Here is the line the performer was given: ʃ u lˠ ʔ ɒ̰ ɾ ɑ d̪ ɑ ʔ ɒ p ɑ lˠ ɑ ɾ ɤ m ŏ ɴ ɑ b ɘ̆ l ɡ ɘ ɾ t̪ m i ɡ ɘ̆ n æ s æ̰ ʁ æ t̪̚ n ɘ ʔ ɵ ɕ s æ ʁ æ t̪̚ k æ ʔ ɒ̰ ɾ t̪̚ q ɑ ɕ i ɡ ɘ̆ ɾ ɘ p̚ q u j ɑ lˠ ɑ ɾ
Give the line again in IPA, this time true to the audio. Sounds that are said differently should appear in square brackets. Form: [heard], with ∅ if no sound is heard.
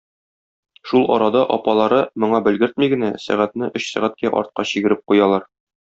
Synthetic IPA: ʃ u lˠ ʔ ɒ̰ ɾ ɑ d̪ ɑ ʔ ɒ p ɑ lˠ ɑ ɾ ɤ m ŏ ɴ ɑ b ɘ̆ l ɡ ɘ ɾ t̪ m i ɡ ɘ̆ n æ s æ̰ ʁ æ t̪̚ n ɘ ʔ ɵ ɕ s æ ʁ æ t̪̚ k æ ʔ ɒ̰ ɾ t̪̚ q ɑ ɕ i ɡ ɘ̆ ɾ ɘ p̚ q u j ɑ lˠ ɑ ɾ